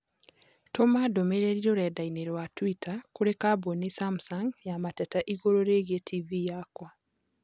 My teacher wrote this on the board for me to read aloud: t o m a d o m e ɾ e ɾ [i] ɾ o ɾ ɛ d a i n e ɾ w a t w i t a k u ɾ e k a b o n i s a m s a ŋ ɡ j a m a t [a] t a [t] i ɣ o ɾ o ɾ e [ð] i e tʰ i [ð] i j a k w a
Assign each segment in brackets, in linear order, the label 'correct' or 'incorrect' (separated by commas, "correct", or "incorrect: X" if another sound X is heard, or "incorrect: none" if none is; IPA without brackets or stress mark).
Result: correct, incorrect: ɛ, incorrect: ʔ, incorrect: ɣ, incorrect: v